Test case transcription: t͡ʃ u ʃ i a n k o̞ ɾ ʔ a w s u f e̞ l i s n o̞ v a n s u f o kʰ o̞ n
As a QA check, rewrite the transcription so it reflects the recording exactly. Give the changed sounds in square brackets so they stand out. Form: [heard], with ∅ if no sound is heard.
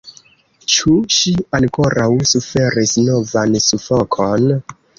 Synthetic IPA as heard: t͡ʃ u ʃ i a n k o̞ ɾ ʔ a w s u f e̞ [ɾ] i s n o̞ v a n s u f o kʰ o̞ n